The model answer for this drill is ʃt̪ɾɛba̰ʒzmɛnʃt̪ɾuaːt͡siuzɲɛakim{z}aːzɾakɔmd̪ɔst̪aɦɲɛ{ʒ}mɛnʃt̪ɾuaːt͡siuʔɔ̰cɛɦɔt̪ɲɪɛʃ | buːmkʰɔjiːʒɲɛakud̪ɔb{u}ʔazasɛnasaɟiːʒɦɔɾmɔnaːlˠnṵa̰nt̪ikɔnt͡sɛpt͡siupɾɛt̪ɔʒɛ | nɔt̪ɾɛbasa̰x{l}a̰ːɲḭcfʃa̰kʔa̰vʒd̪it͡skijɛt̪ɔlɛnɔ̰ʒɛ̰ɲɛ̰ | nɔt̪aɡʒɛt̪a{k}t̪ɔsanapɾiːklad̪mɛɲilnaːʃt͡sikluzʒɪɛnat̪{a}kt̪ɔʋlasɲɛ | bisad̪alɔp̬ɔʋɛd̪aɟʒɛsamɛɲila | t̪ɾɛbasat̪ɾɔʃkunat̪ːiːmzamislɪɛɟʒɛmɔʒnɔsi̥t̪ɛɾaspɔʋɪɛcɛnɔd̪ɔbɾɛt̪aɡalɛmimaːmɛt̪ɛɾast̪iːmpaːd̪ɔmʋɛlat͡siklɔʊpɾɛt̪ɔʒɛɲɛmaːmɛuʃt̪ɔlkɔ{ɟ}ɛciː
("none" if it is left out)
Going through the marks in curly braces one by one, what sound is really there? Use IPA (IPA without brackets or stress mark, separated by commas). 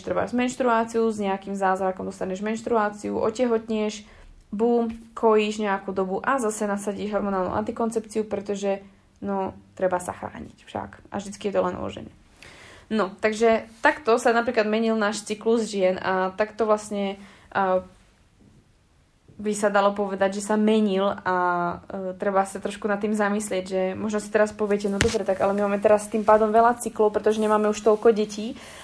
z, ʒ, u, ɾ, k, a, ɟ